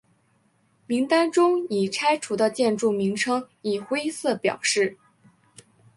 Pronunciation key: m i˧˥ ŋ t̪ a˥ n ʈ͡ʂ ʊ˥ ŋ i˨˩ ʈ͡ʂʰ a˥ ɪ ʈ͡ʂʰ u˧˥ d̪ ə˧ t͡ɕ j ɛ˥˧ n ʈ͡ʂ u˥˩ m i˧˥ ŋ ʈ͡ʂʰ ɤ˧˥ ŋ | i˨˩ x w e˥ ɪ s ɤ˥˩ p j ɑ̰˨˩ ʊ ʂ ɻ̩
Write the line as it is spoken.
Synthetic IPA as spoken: m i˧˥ ŋ t̪ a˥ n ʈ͡ʂ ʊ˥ ŋ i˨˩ ʈ͡ʂʰ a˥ ɪ ʈ͡ʂʰ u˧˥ d̪ ə˧ t͡ɕ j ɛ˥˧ n ʈ͡ʂ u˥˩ m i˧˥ ŋ ʈ͡ʂʰ ɤ˥ ŋ | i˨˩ x w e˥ ɪ s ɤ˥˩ p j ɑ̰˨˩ ʊ ʂ ɻ̩